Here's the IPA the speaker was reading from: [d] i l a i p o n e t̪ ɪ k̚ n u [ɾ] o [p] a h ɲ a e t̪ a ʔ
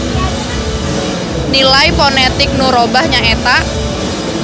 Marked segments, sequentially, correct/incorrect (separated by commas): incorrect, correct, incorrect